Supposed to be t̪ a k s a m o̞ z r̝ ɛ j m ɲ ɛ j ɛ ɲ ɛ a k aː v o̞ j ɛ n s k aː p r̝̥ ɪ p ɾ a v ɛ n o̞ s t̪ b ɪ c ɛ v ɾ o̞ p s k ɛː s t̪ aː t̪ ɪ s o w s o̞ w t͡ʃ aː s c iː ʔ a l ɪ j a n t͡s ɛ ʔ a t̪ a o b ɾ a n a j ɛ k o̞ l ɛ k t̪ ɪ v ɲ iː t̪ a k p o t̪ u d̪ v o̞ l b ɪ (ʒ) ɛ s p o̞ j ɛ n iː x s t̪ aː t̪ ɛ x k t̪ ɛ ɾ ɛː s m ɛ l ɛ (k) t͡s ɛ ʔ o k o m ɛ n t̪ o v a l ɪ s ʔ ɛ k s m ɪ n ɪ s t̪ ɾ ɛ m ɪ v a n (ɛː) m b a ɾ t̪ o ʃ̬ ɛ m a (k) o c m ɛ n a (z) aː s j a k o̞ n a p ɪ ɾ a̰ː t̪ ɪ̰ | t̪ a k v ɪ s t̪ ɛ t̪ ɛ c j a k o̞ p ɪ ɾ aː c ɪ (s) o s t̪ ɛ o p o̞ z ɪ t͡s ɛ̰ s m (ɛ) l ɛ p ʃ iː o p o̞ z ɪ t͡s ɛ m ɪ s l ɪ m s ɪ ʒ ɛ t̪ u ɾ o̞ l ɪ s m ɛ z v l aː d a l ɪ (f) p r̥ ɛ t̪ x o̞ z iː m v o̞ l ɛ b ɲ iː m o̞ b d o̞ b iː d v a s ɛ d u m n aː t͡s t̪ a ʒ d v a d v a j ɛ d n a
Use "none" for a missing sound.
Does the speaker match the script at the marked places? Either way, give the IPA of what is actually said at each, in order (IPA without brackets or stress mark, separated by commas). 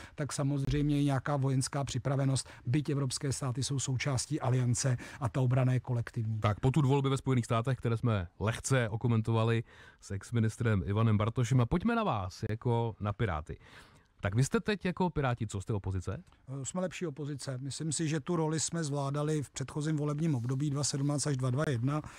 v, x, ɛ, p, v, t͡s, ɛ, f